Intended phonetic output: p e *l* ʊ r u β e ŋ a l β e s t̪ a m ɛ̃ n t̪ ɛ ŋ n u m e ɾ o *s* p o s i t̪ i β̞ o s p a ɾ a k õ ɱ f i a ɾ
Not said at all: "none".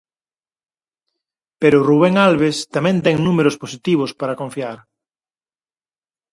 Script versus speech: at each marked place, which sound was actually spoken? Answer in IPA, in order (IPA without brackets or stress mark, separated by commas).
ɾ, s